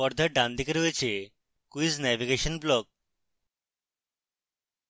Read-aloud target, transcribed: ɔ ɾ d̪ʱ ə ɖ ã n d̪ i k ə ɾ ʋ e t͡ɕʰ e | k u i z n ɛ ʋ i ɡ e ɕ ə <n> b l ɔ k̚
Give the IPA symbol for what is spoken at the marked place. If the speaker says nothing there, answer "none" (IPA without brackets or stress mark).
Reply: n